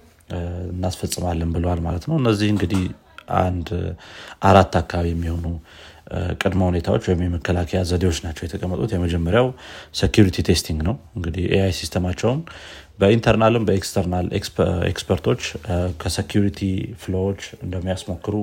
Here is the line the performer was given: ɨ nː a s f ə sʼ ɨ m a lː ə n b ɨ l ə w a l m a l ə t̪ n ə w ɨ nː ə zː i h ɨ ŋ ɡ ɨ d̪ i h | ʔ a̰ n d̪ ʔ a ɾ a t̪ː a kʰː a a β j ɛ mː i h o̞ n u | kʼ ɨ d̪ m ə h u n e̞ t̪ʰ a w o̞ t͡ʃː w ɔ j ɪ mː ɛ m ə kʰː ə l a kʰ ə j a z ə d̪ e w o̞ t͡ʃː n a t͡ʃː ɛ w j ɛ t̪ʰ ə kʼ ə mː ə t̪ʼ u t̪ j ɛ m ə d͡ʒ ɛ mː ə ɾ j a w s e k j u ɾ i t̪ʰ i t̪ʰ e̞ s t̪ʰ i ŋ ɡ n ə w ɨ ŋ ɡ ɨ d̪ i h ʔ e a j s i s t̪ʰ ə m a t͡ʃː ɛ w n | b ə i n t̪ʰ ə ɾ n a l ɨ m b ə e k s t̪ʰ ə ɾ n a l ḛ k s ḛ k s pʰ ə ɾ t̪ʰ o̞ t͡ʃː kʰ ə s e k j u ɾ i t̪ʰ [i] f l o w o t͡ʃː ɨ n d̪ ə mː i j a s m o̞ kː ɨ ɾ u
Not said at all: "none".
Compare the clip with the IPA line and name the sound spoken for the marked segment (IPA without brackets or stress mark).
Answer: i